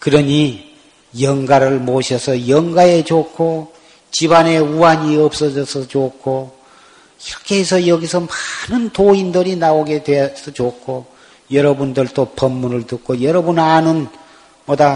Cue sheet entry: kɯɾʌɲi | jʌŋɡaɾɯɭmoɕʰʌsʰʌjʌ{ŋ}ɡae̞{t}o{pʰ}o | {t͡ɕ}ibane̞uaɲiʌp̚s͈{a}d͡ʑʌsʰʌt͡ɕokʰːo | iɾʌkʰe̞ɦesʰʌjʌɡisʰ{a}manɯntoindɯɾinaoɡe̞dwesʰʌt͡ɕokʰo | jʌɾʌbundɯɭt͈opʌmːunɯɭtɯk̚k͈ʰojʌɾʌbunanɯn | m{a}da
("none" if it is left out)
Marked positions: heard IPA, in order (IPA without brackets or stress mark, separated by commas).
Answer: ŋ, t͡ɕ, kʰ, t͡ɕ, ʌ, ʌ, ʌ